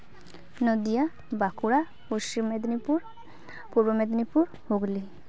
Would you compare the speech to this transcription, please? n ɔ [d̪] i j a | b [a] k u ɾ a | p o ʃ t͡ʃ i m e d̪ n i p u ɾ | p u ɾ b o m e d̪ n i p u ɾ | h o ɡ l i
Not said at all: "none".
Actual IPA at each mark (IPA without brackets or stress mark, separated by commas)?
d̪, a